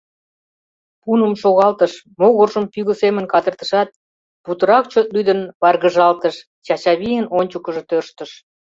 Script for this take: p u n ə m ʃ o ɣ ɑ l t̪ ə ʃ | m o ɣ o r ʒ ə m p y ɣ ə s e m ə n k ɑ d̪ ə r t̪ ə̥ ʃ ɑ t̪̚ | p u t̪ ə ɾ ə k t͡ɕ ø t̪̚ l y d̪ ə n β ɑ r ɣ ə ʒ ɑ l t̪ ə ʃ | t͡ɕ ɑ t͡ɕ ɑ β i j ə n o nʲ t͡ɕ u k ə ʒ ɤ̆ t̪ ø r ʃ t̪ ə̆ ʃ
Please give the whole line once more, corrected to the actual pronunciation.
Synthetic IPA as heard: p u n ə m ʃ o ɣ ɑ l t̪ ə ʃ | m o ɣ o r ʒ ə m p y ɣ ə s e m ə n k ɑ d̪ ə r t̪ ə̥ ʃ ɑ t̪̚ | p u t̪ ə ɾ ɑ k t͡ɕ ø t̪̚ l y d̪ ə n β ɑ r ɣ ə ʒ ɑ l t̪ ə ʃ | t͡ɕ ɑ t͡ɕ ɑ β i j ə n o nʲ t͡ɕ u k ə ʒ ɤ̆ t̪ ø r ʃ t̪ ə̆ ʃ